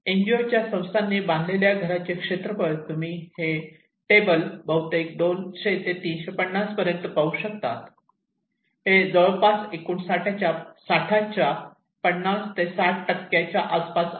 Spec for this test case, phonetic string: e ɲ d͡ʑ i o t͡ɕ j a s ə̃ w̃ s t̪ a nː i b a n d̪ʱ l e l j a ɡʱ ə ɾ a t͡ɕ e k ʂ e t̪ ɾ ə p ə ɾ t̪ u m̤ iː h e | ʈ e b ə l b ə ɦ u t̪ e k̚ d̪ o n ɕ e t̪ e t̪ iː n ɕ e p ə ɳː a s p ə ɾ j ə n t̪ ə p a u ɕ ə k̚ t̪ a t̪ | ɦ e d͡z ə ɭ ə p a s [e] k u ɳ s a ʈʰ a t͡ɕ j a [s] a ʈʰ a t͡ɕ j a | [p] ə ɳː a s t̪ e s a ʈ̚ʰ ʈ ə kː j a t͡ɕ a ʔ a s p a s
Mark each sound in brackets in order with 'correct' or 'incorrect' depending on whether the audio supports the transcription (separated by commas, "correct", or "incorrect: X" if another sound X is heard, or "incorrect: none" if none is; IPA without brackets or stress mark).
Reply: correct, correct, correct